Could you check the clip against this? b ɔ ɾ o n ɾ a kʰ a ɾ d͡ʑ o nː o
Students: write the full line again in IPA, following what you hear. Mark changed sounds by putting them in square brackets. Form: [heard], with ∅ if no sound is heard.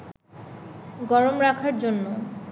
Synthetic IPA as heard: [ɡ] ɔ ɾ o [m] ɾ a kʰ a ɾ d͡ʑ o nː o